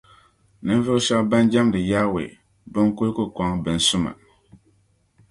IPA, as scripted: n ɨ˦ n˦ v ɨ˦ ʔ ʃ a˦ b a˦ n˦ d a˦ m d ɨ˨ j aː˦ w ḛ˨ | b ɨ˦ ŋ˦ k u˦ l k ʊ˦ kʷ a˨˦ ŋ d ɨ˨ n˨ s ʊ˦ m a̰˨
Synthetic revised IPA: n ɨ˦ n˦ v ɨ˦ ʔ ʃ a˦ b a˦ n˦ d͡ʒ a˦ m d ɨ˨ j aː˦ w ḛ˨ | b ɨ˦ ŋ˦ k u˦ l k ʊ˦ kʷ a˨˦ ŋ b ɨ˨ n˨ s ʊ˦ m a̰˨

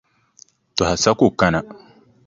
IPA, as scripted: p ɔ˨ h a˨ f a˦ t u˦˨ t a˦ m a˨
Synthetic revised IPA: t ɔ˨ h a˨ s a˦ k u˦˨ k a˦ n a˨

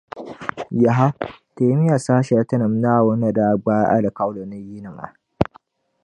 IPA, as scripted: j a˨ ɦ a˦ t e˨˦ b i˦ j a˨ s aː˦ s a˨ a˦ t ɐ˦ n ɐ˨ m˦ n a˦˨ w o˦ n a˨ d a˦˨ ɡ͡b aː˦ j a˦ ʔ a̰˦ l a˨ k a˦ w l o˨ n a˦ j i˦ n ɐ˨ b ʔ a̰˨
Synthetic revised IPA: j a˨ ɦ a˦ t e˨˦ m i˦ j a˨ s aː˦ ʃ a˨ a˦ t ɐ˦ n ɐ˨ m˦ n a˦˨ w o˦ n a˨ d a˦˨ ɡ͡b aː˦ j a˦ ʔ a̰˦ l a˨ k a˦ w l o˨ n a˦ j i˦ n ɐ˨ m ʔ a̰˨

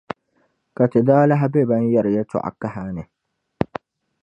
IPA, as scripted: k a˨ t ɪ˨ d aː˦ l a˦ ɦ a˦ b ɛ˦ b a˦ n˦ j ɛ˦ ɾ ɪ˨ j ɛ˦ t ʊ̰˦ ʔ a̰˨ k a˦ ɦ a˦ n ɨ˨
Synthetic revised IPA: k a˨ t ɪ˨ d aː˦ l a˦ ɦ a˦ b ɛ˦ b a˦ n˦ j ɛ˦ ɾ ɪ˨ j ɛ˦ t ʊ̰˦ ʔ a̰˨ k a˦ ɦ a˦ n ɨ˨

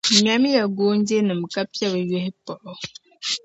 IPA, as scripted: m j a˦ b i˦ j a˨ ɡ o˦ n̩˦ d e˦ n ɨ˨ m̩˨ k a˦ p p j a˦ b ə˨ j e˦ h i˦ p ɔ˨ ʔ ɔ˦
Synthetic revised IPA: m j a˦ m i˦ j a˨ ɡ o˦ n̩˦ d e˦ n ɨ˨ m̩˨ k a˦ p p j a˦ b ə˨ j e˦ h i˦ p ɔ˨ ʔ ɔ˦

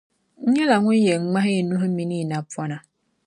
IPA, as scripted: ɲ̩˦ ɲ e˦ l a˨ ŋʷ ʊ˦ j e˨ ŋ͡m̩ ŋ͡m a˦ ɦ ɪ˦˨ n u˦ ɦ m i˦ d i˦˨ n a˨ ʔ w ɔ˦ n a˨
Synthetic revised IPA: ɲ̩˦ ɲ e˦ l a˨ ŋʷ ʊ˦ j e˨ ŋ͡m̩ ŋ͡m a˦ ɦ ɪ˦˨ n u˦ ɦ m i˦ n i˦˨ n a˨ p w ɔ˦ n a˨

